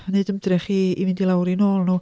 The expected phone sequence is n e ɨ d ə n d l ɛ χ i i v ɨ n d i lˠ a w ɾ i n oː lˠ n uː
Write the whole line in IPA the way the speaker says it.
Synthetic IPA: n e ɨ d ə m d r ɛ χ i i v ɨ n d i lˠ a w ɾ i n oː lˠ n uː